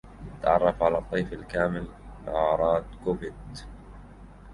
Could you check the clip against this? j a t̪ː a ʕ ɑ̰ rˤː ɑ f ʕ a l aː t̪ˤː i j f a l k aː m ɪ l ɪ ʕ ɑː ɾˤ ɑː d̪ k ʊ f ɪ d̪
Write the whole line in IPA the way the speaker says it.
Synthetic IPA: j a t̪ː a ʕ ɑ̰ rˤː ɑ f ʕ a l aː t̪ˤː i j f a l k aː m ɪ l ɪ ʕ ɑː ɾˤ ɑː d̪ k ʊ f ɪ d̪